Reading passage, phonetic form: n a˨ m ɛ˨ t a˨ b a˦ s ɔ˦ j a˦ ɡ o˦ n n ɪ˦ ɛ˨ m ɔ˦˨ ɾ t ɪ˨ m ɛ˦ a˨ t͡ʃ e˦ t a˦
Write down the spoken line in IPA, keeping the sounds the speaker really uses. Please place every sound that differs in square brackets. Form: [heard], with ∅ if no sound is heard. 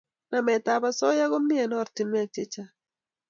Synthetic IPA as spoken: n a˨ m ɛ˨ t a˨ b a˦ s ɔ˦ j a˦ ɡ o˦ [m] n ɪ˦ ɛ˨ [n] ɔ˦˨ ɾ t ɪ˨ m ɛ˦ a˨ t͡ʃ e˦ [t͡ʃ] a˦